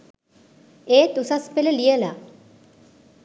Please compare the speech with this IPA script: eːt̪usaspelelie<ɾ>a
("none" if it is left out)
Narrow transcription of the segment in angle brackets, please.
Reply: l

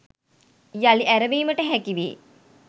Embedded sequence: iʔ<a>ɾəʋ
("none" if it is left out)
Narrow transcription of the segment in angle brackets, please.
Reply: æ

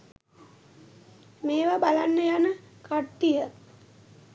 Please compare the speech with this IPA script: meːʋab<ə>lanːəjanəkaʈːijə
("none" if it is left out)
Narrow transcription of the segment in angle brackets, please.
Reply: a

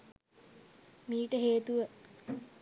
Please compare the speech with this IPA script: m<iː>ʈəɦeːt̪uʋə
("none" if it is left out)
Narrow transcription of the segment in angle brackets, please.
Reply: iː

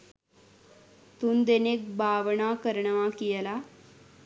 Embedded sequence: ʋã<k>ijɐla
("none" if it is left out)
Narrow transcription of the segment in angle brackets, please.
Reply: k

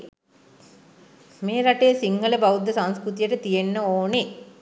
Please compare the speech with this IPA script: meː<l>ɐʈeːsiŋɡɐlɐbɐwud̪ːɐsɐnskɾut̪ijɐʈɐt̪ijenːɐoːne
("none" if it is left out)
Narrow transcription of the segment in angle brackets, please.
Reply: ɾ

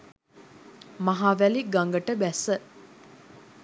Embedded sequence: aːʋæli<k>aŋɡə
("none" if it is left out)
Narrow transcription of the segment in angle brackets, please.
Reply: ɡ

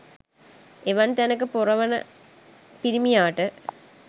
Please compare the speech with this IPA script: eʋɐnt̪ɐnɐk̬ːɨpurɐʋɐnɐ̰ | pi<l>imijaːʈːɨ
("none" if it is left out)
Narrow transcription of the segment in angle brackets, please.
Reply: ɾ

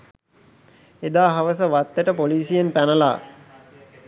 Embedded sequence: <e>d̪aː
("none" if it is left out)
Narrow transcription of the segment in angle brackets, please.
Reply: e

